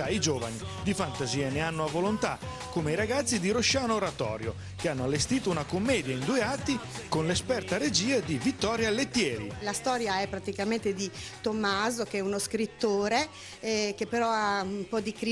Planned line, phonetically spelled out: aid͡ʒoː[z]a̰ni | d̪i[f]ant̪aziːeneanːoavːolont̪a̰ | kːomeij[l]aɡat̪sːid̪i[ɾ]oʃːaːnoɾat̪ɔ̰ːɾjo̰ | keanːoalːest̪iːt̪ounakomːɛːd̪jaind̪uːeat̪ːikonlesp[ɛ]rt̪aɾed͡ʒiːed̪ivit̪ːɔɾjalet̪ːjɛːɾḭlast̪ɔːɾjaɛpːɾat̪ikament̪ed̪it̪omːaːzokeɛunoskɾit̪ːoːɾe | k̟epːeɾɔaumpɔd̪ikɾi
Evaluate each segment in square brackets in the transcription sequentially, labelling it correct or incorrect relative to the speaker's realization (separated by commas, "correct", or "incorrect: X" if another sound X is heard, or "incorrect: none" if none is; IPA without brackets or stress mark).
incorrect: v, correct, incorrect: ɾ, correct, correct